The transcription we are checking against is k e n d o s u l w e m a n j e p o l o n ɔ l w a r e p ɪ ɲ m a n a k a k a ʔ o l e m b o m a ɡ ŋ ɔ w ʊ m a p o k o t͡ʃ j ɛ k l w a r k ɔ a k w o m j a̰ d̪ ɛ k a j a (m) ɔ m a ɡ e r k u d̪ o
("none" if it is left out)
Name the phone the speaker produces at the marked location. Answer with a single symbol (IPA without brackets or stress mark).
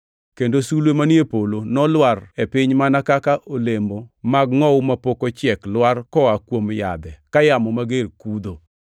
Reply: m